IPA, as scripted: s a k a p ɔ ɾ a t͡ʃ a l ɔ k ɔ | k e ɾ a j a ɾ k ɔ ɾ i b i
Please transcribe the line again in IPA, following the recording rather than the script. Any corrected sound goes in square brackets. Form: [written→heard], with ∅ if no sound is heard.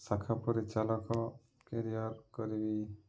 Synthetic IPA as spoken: s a [k→kʰ] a p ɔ ɾ [a→i] t͡ʃ a l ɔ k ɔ | k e ɾ [a→i] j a ɾ k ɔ ɾ i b i